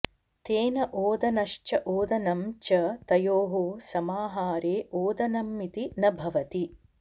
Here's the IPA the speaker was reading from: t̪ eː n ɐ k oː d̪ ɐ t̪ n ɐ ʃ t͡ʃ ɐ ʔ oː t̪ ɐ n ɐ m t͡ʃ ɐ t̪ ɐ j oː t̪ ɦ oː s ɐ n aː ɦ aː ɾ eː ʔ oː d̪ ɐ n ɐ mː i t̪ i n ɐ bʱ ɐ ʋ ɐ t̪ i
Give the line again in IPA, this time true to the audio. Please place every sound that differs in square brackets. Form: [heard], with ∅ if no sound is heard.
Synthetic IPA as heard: t̪ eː n ɐ [ʔ] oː d̪ ɐ [∅] n ɐ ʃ t͡ʃ ɐ ʔ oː [d̪] ɐ n ɐ m t͡ʃ ɐ t̪ ɐ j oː [∅] ɦ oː s ɐ [m] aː ɦ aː ɾ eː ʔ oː d̪ ɐ n ɐ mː i t̪ i n ɐ bʱ ɐ ʋ ɐ t̪ i

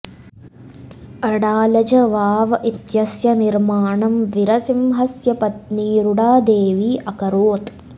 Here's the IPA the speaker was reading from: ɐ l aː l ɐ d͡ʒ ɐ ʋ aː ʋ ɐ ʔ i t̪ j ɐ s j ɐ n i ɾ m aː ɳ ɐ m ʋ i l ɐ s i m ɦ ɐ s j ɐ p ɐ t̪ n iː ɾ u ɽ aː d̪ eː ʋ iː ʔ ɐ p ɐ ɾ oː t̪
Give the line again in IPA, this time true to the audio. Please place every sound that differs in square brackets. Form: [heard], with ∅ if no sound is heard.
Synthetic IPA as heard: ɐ [ɽ] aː l ɐ d͡ʒ ɐ ʋ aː ʋ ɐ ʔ i t̪ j ɐ s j ɐ n i ɾ m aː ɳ ɐ m ʋ i [ɾ] ɐ s i m ɦ ɐ s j ɐ p ɐ t̪ n iː ɾ u ɽ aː d̪ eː ʋ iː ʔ ɐ [k] ɐ ɾ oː t̪

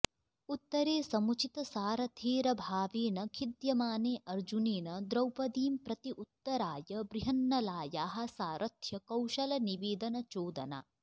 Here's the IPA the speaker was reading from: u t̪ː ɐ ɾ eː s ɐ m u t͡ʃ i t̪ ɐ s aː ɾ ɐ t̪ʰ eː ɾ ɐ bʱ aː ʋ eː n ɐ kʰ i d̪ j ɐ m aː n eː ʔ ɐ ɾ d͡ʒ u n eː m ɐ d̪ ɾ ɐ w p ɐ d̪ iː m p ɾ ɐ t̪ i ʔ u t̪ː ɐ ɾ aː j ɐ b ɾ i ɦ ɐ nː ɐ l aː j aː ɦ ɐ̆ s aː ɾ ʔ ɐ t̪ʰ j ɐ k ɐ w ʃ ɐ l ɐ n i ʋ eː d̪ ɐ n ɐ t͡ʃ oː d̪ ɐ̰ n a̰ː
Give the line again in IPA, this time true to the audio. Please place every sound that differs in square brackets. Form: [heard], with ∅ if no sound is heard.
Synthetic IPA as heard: u t̪ː ɐ ɾ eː s ɐ m u t͡ʃ i t̪ ɐ s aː ɾ ɐ t̪ʰ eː ɾ ɐ bʱ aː ʋ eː n ɐ kʰ i d̪ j ɐ m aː n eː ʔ ɐ ɾ d͡ʒ u n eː [n] ɐ d̪ ɾ ɐ w p ɐ d̪ iː m p ɾ ɐ t̪ i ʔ u t̪ː ɐ ɾ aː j ɐ b ɾ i ɦ ɐ nː ɐ l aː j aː ɦ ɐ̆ s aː ɾ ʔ ɐ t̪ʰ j ɐ k ɐ w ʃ ɐ l ɐ n i ʋ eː d̪ ɐ n ɐ t͡ʃ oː d̪ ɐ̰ n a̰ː

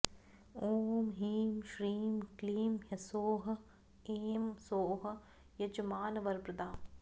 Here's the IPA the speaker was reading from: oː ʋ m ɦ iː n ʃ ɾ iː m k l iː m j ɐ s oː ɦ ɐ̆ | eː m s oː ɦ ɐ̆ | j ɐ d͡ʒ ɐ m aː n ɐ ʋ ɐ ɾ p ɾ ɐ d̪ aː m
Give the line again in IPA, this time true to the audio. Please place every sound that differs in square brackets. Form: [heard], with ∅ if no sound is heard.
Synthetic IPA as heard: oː [∅] m ɦ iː [m] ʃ ɾ iː m k l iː m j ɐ s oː ɦ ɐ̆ | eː m s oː ɦ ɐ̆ | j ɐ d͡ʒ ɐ m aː n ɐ ʋ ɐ ɾ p ɾ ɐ d̪ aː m

